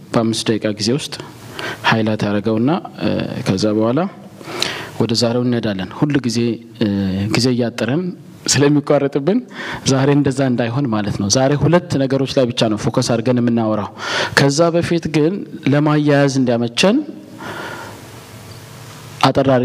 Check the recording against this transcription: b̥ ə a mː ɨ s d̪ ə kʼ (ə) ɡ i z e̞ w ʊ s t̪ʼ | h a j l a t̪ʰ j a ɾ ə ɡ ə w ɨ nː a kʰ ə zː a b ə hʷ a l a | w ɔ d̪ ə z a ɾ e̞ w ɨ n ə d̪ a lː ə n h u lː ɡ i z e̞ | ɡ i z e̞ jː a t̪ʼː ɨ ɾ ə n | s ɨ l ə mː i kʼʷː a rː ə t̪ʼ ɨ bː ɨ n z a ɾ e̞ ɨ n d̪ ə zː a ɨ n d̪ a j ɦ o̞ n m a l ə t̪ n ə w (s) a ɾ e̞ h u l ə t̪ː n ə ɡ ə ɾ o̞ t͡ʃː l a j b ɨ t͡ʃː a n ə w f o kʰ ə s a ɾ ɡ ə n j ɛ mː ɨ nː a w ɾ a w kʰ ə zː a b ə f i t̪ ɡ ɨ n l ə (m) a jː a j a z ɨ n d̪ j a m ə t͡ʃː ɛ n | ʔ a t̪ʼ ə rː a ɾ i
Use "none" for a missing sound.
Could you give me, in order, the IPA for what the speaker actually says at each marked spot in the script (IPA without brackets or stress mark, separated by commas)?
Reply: a, z, m